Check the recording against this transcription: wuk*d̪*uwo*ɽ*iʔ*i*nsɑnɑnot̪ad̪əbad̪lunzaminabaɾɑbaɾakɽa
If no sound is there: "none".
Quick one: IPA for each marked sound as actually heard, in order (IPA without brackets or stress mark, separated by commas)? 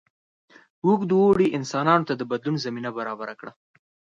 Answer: d̪, ɽ, ɪ